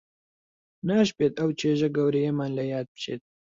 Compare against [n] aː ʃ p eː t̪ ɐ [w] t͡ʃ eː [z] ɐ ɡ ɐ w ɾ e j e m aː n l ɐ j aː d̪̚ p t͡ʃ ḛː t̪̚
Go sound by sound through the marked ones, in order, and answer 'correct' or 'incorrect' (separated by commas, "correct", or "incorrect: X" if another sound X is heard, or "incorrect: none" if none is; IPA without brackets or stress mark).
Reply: correct, correct, incorrect: ʒ